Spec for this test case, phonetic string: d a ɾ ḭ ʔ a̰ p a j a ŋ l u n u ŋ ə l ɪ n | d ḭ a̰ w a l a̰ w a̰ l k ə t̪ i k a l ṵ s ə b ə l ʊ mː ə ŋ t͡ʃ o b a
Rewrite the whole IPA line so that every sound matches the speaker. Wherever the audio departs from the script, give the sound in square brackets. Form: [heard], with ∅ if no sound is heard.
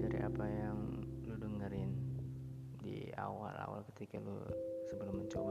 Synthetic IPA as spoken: d a ɾ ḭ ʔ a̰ p a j a ŋ l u [d] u ŋ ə [ɾ] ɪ n | d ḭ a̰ w a l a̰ w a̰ l k ə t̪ i k a l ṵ s ə b ə l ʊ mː ə [ɲ] t͡ʃ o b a